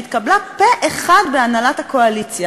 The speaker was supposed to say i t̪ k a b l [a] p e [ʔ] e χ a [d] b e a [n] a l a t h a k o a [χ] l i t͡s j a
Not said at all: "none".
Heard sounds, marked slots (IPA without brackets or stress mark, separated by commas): a, ʔ, d, n, none